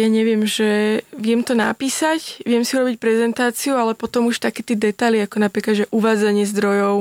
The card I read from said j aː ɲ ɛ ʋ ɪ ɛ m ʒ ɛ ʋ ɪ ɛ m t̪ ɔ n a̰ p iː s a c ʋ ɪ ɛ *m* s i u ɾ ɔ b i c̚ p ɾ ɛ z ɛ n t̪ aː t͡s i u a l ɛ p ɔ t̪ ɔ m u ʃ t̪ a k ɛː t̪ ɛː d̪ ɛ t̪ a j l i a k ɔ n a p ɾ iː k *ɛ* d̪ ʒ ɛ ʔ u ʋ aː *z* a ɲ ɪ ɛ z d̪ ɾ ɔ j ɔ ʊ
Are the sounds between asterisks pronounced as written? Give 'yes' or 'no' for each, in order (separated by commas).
yes, no, no